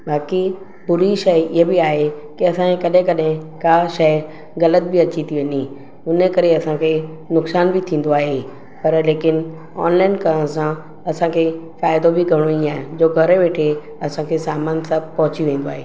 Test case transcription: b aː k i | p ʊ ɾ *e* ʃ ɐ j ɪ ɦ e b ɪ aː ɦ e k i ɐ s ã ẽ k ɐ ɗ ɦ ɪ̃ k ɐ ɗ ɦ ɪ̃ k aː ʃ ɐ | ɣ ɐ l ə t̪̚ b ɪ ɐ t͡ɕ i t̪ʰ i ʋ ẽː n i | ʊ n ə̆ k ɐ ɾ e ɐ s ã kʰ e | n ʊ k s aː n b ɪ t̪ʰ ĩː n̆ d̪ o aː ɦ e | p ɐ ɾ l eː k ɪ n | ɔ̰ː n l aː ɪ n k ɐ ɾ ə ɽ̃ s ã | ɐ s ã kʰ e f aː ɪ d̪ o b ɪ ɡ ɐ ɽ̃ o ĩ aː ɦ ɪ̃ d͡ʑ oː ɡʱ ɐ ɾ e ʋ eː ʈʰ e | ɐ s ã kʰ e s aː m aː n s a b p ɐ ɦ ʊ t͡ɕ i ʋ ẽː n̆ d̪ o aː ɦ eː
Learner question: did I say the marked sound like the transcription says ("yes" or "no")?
no